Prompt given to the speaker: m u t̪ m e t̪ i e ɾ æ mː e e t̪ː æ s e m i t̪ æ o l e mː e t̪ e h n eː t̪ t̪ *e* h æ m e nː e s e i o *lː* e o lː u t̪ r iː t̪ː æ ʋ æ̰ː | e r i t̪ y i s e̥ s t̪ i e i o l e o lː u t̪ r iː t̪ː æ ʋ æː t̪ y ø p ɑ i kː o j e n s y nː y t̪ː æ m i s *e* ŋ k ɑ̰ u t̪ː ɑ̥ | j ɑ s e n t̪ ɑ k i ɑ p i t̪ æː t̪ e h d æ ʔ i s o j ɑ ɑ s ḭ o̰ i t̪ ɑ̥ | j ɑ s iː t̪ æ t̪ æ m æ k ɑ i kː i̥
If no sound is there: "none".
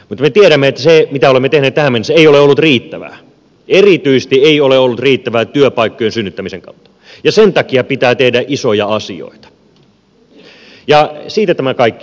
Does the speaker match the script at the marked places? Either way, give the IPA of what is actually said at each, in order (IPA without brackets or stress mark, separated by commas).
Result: æ, l, e